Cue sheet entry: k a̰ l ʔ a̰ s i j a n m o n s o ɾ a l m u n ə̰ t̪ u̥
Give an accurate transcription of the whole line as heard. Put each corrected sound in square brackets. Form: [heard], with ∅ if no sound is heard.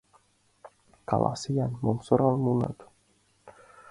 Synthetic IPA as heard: k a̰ l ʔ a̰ s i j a n m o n s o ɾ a l m u n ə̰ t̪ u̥